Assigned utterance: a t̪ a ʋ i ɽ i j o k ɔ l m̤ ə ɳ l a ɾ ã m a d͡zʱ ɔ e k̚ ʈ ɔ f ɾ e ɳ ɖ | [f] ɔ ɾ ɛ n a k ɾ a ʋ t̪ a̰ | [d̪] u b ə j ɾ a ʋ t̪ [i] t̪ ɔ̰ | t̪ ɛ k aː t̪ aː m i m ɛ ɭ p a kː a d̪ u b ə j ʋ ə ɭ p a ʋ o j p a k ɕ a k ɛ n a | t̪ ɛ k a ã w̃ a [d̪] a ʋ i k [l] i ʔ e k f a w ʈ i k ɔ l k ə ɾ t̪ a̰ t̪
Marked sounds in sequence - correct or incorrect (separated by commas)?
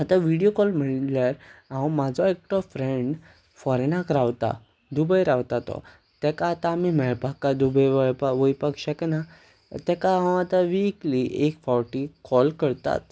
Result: correct, correct, incorrect, incorrect, correct